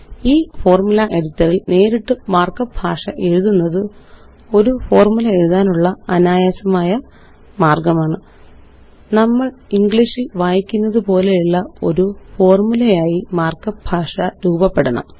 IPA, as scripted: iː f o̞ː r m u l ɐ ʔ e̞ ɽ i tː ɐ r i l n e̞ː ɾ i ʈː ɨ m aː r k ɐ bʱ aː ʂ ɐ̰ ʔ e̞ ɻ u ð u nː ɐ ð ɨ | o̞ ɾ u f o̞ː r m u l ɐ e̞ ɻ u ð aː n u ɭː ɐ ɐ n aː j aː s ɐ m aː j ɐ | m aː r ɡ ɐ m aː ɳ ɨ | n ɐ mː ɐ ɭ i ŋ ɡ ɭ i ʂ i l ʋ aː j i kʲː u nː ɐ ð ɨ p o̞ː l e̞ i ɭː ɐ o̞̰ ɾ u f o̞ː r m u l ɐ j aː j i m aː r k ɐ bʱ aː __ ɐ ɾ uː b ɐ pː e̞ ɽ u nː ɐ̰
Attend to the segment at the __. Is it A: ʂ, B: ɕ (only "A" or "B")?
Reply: A